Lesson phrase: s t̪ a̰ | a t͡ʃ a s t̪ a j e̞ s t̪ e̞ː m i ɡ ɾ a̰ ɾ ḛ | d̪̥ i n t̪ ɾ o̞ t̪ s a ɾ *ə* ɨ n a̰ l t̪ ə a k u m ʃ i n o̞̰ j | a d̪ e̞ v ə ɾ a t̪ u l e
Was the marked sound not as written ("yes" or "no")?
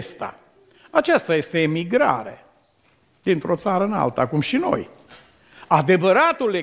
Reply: no